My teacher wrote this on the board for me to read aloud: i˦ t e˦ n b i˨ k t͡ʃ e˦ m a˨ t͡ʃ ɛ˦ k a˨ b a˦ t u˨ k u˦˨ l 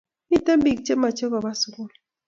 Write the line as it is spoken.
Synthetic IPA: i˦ t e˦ m b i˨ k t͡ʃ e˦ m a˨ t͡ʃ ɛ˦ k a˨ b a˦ s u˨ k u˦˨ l